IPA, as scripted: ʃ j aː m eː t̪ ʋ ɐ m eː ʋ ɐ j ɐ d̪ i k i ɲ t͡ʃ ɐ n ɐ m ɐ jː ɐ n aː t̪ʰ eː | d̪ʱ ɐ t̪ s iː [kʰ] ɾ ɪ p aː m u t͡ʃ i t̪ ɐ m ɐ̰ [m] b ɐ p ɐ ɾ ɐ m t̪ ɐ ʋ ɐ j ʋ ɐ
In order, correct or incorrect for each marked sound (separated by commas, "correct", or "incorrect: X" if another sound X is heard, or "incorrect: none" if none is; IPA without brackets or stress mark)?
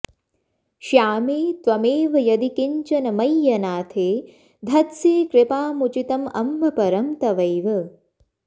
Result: incorrect: k, correct